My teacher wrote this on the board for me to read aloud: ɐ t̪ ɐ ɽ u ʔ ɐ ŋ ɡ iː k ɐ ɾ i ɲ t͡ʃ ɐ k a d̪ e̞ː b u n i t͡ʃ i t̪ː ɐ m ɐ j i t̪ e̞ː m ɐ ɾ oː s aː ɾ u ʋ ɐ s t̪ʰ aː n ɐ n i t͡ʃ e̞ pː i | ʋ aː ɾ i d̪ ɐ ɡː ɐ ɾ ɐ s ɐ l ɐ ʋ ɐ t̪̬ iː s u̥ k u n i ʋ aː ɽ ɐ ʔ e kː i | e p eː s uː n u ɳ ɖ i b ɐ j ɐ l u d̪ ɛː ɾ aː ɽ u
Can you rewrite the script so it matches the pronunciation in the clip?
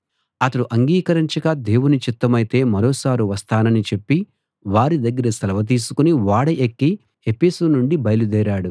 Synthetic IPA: ɐ t̪ ɐ ɽ u ʔ ɐ ŋ ɡ iː k ɐ ɾ i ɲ t͡ʃ ɐ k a d̪ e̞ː w u n i t͡ʃ i t̪ː ɐ m ɐ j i t̪ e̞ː m ɐ ɾ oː s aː ɾ u ʋ ɐ s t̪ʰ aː n ɐ n i t͡ʃ e̞ pː i | ʋ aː ɾ i d̪ ɐ ɡː ɐ ɾ ɐ s ɐ l ɐ ʋ ɐ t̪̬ iː s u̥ k u n i ʋ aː ɽ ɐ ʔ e kː i | e p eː s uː n u ɳ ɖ i b ɐ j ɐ l u d̪ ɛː ɾ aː ɽ u